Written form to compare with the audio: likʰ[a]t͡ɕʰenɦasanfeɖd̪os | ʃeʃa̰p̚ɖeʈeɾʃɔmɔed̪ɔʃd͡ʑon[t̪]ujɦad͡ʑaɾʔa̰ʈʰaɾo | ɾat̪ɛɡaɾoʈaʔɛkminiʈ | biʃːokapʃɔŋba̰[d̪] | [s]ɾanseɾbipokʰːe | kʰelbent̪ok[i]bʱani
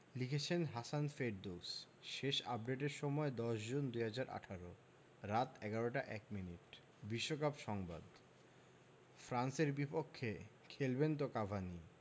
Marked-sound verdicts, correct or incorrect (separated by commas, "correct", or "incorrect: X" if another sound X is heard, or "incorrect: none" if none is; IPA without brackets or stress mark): incorrect: e, incorrect: d̪, correct, incorrect: f, incorrect: a